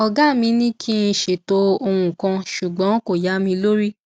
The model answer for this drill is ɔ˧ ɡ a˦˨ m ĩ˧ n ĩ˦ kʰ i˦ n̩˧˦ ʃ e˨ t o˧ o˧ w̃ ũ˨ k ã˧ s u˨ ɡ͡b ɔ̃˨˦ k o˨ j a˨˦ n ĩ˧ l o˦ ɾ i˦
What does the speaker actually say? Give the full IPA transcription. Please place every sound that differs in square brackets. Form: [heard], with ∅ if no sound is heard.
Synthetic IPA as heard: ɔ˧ ɡ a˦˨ m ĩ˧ n ĩ˦ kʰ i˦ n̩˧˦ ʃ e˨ t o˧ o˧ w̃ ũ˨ k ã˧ [ʃ] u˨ ɡ͡b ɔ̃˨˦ k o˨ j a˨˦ [m] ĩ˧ l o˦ ɾ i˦